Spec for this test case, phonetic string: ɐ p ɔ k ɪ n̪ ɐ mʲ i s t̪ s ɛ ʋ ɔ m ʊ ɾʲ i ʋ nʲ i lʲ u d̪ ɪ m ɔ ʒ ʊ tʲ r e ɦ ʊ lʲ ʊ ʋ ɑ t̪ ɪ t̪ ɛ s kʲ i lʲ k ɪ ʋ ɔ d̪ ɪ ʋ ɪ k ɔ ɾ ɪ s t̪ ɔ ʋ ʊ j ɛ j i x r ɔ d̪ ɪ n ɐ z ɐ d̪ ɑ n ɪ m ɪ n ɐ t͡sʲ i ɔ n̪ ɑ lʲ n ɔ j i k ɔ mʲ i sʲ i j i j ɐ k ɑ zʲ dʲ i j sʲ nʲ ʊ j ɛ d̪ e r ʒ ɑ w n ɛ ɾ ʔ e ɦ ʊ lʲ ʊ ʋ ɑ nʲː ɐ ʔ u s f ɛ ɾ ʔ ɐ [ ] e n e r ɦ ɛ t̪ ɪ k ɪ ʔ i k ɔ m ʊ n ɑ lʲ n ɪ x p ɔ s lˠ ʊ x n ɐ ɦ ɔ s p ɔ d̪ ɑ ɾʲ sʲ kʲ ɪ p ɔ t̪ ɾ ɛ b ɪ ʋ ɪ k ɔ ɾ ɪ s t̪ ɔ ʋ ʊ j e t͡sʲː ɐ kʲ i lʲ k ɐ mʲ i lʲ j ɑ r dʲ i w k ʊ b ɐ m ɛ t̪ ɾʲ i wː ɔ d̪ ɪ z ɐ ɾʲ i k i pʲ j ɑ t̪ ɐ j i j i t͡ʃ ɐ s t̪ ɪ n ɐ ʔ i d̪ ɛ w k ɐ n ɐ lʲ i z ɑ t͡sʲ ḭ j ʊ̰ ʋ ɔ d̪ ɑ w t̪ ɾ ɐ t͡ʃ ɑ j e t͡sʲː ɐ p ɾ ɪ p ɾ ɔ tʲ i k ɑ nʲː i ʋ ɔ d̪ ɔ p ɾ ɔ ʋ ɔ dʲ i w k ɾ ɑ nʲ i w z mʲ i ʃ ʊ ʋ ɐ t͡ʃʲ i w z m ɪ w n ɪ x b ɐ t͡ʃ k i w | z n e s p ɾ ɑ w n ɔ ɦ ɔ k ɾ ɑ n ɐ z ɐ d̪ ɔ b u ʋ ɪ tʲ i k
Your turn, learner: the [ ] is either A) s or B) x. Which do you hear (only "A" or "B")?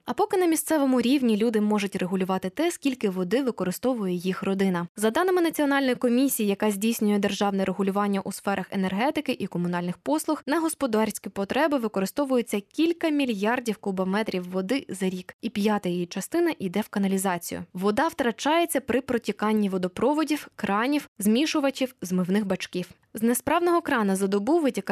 B